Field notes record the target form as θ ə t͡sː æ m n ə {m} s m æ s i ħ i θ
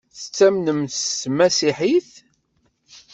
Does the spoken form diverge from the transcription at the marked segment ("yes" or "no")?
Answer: no